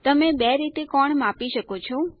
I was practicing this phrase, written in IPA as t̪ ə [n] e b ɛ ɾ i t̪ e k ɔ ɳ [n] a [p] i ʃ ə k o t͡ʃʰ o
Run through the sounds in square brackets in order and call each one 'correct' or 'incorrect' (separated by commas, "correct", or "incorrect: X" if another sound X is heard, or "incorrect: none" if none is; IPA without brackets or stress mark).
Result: incorrect: m, incorrect: m, correct